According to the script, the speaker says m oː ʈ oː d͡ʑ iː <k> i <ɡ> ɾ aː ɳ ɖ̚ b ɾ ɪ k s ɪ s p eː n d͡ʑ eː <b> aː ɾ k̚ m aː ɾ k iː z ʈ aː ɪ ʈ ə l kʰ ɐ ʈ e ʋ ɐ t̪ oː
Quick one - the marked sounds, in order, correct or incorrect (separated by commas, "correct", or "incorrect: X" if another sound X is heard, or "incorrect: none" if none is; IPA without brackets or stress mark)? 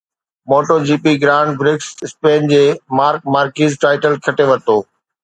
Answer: incorrect: p, correct, incorrect: m